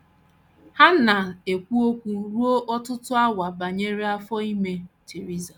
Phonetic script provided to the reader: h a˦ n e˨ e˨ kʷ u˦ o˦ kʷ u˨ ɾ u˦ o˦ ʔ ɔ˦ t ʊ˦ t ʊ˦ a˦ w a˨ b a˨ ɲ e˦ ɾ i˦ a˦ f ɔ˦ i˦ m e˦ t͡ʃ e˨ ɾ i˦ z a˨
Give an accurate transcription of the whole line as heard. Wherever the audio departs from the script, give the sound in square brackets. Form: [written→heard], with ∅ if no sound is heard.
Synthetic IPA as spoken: h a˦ n [e˨→a˨] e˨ kʷ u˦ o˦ kʷ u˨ ɾ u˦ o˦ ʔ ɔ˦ t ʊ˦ t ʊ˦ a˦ w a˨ b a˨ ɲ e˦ ɾ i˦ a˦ f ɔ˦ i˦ m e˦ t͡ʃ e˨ ɾ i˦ z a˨